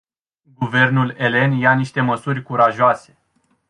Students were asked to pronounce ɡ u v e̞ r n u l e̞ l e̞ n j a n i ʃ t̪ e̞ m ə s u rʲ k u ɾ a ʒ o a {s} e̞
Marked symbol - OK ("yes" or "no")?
yes